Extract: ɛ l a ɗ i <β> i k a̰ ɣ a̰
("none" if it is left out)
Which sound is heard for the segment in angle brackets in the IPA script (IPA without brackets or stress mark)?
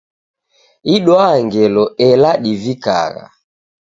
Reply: v